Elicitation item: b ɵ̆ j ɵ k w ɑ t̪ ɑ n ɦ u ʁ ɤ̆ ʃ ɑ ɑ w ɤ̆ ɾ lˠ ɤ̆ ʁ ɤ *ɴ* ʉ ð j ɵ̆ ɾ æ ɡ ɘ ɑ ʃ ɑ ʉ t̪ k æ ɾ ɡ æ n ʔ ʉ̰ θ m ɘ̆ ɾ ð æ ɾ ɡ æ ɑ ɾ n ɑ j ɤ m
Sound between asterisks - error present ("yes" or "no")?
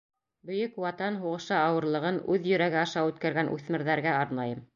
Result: yes